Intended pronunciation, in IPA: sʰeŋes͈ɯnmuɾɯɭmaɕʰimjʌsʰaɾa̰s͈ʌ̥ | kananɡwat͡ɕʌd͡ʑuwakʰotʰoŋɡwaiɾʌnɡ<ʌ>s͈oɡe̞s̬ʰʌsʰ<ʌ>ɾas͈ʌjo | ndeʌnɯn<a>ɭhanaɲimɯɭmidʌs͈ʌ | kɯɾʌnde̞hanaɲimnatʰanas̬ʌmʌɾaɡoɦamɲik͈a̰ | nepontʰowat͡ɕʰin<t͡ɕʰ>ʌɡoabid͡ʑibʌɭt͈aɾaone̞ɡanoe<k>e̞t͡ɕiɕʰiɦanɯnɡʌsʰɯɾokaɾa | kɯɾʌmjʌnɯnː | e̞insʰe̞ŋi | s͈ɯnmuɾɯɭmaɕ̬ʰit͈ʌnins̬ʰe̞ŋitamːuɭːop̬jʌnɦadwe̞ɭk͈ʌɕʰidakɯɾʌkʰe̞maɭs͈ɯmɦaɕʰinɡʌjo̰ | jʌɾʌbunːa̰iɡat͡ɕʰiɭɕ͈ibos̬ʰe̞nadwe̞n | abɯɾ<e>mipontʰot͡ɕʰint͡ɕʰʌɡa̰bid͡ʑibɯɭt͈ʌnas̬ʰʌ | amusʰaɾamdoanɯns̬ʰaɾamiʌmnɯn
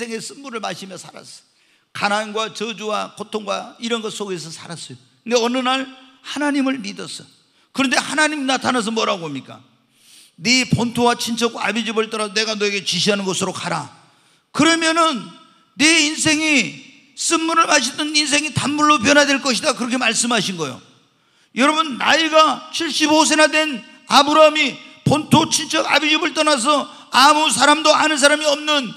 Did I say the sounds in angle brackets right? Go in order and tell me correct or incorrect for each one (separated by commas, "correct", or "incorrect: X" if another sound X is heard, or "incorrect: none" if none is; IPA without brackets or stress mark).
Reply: correct, incorrect: a, correct, correct, incorrect: ɡ, incorrect: a